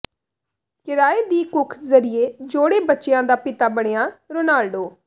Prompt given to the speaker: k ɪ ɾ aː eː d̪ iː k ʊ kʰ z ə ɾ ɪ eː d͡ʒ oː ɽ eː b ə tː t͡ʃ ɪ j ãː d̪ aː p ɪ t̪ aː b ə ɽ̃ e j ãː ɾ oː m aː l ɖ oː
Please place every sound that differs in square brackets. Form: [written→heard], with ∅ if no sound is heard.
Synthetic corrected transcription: k ɪ ɾ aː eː d̪ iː k ʊ kʰ z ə ɾ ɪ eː d͡ʒ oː ɽ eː b ə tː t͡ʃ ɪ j ãː d̪ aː p ɪ t̪ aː b ə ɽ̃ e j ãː ɾ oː [m→n] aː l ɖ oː